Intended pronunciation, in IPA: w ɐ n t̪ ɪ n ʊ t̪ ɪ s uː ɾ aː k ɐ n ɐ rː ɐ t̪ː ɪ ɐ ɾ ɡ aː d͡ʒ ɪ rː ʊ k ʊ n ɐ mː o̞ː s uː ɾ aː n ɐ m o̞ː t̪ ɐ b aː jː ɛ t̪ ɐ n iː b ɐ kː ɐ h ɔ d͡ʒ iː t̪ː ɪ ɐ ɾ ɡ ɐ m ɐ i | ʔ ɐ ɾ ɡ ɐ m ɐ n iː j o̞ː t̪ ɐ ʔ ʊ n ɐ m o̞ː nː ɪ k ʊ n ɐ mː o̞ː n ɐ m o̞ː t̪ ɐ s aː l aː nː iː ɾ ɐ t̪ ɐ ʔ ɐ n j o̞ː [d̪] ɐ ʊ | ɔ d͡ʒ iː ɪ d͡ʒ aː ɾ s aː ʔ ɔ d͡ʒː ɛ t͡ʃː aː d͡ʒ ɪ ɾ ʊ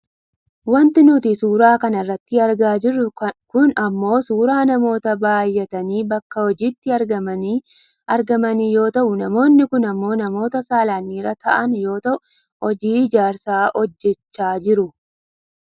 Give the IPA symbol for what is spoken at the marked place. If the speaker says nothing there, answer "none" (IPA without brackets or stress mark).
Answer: t̪